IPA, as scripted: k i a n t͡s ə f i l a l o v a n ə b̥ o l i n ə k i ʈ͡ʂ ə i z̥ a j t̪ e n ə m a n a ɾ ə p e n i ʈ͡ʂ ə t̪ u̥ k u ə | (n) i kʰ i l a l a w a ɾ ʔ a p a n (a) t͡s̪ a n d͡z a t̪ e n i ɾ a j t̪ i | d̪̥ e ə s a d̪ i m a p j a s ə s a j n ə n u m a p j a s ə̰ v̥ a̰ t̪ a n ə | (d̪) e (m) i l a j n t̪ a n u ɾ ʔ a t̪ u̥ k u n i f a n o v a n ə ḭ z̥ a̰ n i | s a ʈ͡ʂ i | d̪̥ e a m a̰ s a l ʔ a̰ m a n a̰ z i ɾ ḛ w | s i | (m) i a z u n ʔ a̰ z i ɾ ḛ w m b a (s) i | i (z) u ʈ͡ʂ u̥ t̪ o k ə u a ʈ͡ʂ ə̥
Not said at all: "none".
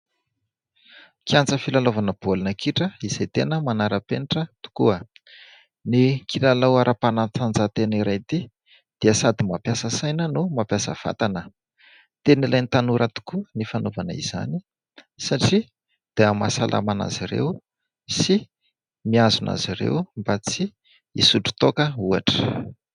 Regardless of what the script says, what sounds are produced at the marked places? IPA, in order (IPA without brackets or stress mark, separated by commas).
n, a, t̪, n, m, t͡s, s